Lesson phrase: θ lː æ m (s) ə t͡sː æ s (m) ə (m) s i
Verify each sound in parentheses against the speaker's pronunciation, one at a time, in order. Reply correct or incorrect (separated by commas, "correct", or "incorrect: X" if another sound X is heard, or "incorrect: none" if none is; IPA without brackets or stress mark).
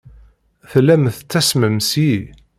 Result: incorrect: θ, correct, correct